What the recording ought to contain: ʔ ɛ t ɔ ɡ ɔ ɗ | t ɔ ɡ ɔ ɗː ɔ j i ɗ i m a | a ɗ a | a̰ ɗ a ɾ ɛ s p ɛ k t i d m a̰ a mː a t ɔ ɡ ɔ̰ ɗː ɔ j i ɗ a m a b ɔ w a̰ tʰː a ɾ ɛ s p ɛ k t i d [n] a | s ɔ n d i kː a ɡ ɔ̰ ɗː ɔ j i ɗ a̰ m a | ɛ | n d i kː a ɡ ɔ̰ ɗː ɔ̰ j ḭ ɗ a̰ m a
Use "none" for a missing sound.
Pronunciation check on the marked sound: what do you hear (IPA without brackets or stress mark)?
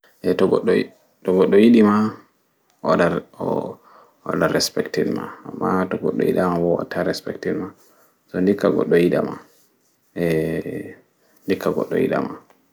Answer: m